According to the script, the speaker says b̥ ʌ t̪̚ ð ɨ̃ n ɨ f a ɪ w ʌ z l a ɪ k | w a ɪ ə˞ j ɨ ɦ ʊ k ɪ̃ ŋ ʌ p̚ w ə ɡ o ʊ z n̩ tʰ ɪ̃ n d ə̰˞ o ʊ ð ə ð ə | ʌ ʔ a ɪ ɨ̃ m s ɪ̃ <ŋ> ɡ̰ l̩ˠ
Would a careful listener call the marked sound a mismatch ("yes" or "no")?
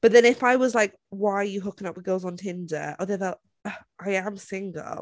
no